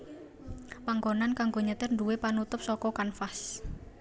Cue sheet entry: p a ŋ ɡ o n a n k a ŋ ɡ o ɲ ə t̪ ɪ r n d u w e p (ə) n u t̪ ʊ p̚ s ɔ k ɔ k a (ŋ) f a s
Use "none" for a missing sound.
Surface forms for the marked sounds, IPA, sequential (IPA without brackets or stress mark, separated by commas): a, n